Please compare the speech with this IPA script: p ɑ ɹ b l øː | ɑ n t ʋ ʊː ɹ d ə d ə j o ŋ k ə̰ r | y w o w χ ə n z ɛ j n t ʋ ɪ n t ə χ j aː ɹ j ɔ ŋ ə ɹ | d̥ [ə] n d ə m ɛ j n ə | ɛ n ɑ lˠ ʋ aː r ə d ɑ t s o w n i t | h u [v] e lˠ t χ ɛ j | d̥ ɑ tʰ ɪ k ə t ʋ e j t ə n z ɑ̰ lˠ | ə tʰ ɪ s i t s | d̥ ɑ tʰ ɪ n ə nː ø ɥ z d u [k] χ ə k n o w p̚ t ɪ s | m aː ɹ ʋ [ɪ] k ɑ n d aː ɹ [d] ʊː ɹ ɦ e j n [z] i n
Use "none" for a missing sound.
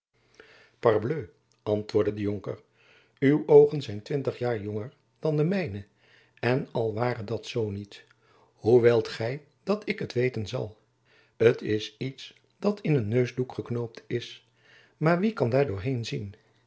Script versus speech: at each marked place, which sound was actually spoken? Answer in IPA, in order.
ɑ, ʋ, k, i, d, z

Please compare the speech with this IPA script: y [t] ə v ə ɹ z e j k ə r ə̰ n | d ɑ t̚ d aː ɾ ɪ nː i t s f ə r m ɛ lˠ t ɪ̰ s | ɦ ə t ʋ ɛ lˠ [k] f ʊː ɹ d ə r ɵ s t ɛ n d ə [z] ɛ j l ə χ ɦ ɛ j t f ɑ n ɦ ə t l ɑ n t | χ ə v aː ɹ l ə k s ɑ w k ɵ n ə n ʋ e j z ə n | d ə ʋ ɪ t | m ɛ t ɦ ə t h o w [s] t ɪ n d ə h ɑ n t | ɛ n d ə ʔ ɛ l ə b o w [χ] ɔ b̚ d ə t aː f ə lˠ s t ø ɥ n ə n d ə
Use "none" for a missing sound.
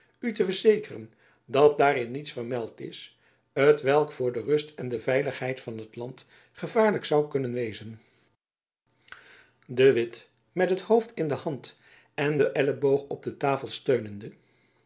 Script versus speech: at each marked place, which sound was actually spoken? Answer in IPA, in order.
t, k, v, f, χ

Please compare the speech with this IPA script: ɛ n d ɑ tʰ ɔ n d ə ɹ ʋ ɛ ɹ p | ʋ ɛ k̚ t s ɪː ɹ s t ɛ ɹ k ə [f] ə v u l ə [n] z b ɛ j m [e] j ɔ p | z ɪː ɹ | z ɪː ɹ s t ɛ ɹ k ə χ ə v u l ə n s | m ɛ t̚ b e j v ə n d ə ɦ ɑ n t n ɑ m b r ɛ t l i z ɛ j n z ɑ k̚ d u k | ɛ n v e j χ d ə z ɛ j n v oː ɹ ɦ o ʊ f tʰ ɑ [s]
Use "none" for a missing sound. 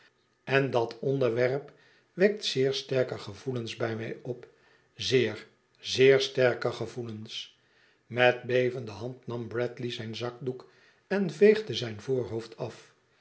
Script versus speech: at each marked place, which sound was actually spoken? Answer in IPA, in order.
χ, n, ɛ, f

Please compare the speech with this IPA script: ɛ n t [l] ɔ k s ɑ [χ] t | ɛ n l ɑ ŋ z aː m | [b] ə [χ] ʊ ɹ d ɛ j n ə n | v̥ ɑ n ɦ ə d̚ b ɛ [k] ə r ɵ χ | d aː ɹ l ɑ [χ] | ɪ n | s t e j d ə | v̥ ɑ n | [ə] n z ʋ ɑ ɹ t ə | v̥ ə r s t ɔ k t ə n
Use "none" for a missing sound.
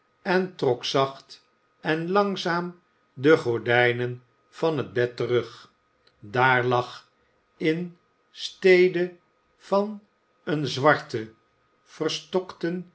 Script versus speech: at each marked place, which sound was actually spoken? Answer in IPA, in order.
r, χ, d, χ, t, χ, ə

